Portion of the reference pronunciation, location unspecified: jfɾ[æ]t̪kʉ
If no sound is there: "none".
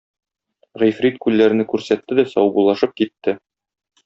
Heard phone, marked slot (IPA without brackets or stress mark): i